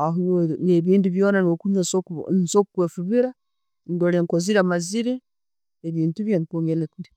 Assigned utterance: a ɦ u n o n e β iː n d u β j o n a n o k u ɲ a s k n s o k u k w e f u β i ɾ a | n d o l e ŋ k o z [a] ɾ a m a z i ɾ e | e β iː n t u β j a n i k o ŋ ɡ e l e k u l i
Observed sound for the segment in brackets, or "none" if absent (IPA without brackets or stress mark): i